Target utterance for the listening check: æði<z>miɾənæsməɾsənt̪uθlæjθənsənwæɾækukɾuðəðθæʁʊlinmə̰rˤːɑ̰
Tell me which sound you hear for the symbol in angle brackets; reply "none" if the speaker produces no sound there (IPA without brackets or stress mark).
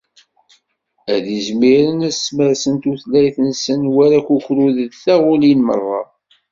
z